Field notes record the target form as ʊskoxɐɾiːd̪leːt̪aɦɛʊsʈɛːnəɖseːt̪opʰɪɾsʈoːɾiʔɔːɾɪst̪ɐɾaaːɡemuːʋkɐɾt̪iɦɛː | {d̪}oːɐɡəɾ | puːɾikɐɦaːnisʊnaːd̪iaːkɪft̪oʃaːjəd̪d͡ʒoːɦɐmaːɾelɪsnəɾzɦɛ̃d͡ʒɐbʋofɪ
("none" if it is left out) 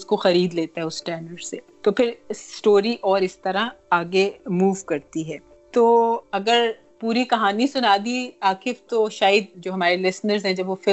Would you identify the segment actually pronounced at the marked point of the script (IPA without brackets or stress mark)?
t̪